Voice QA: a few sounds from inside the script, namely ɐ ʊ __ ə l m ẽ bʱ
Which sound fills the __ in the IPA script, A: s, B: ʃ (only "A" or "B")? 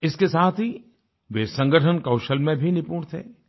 B